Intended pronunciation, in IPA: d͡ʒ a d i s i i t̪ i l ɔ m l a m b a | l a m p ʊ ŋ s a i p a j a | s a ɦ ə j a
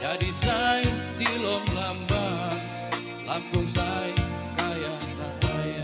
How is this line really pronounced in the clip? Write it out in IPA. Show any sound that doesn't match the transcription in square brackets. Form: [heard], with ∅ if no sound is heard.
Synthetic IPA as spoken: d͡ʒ a d i s [a] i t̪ i l ɔ m l a m b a | l a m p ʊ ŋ s a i [k] a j a | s a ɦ [a] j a